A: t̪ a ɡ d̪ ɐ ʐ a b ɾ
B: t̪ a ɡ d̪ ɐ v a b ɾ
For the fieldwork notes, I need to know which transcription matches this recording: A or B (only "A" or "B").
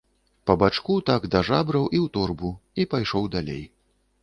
A